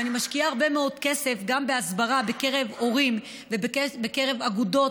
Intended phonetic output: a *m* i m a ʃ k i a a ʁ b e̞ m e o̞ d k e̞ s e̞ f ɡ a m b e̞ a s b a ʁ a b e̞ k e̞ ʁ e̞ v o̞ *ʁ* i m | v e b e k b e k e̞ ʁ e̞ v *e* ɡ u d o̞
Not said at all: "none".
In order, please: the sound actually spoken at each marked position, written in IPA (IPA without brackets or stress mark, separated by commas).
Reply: n, ʁ, a